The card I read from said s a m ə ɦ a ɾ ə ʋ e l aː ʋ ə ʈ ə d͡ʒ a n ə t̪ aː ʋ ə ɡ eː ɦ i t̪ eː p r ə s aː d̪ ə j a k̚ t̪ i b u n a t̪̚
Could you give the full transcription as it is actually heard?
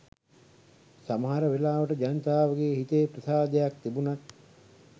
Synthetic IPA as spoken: s a m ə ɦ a ɾ ə ʋ e l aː ʋ ə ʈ ə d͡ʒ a n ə t̪ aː ʋ ə ɡ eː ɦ i t̪ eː p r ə s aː d̪ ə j a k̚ t̪ i b u n a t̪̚